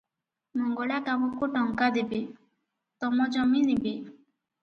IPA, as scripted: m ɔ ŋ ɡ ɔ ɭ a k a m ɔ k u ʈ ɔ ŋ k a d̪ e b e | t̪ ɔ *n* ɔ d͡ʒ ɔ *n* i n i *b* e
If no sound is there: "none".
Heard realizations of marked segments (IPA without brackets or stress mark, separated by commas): m, m, b